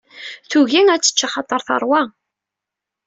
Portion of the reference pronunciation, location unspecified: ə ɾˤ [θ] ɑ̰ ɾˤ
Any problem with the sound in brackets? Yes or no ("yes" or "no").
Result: no